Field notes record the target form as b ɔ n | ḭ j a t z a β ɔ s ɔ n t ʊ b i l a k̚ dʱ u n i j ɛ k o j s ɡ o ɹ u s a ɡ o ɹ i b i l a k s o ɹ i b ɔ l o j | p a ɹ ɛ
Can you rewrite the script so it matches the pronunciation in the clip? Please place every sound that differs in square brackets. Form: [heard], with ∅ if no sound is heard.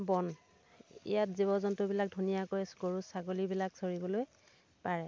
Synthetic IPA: b ɔ n | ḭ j a t z [i] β ɔ [z] ɔ n t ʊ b i l a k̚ dʱ u n i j [a] k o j s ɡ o ɹ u s a ɡ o [l] i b i l a k s o ɹ i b ɔ l o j | p a ɹ ɛ